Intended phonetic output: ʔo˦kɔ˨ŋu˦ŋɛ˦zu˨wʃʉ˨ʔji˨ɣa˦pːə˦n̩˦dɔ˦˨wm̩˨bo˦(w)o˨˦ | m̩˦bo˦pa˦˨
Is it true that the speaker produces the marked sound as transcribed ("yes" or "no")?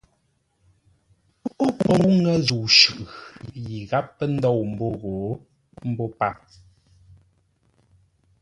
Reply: no